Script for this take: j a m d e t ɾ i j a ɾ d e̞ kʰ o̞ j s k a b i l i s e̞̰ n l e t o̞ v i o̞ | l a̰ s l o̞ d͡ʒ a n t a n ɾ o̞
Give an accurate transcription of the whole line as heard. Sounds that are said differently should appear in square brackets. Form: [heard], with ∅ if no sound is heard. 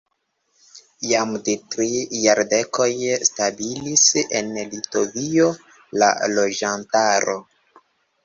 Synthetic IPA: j a m d e t ɾ i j a ɾ d e̞ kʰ o̞ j s [t] a b i l i s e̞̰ n l [i] t o̞ v i o̞ | l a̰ [∅] l o̞ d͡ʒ a n t a [∅] ɾ o̞